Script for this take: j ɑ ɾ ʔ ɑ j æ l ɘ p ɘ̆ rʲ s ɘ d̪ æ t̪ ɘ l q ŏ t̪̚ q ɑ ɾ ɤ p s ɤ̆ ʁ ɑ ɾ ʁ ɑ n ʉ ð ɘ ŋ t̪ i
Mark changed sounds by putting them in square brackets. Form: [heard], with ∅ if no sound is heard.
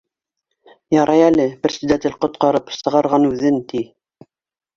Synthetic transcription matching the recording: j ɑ ɾ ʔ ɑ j æ l ɘ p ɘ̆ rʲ s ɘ d̪ æ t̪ ɘ l q ŏ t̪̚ q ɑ ɾ ɤ p s ɤ̆ ʁ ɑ ɾ ʁ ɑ n ʉ ð ɘ [n] t̪ i